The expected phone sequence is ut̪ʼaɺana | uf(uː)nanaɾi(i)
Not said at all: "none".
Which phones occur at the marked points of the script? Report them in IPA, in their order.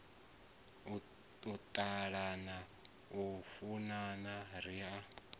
u, a

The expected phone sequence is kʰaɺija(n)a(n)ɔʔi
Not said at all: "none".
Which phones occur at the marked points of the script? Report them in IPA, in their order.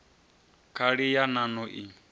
n, n

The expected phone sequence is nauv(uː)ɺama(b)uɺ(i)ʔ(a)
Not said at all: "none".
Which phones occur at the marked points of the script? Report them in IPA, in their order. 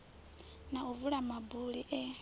u, b, i, ɛ

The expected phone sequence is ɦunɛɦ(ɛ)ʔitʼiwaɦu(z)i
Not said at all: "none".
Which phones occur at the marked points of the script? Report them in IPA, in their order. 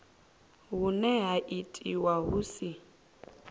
a, s

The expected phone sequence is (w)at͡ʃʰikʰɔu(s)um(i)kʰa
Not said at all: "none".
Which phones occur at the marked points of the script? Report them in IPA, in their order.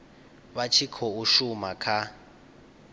β, ʃ, a

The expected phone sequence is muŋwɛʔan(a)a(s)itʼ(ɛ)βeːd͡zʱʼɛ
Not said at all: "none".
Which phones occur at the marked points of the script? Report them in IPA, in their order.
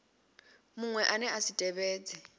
ɛ, s, ɛ

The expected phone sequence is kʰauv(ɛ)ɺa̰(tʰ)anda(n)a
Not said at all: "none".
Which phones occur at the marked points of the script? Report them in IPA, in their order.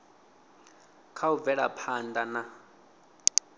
ɛ, pʰ, n

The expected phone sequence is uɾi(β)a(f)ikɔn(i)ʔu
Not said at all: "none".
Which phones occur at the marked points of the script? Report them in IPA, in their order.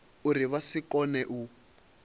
β, s, ɛ

